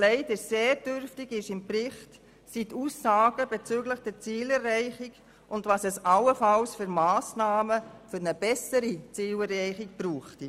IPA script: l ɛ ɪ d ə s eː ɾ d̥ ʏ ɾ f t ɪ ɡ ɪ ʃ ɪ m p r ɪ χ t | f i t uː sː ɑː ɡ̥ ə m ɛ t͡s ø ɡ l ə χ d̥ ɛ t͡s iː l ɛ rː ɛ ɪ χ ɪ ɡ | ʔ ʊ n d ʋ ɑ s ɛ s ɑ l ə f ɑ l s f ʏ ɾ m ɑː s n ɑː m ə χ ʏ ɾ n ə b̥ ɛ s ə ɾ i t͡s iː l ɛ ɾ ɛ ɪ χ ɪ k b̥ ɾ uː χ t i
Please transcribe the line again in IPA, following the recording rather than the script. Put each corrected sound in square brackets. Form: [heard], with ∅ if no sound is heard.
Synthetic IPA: l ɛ ɪ d ə s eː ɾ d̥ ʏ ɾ f t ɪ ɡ ɪ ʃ ɪ m p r ɪ χ t | [s] i t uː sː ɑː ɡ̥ ə [b] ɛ t͡s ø ɡ l ə χ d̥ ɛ t͡s iː l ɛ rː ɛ ɪ χ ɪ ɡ | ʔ ʊ n d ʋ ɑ s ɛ s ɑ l ə f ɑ l s f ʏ ɾ m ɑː s n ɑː m ə [f] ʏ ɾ n ə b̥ ɛ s ə ɾ i t͡s iː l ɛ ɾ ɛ ɪ χ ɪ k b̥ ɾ uː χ t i